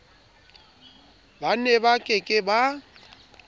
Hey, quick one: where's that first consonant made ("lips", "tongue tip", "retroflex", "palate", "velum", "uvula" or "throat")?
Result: lips